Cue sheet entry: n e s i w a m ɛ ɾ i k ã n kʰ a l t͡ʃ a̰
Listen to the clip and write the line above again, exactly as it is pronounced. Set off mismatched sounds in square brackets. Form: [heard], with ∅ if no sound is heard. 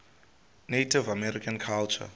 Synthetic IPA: n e [t] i [v] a m ɛ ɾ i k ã n kʰ a l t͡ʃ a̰